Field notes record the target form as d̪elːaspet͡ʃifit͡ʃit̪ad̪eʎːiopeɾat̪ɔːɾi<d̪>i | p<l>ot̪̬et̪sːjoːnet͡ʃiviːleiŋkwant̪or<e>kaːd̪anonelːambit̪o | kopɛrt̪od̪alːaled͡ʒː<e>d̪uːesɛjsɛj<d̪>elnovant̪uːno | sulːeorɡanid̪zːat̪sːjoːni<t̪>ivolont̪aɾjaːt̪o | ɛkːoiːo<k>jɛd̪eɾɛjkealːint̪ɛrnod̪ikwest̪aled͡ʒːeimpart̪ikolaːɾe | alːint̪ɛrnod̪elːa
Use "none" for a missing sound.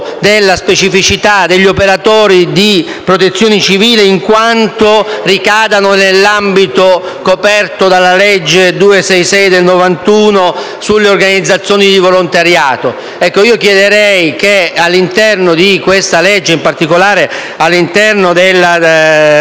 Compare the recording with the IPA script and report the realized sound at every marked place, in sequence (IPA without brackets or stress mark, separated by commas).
d̪, ɾ, i, e, d̪, d̪, k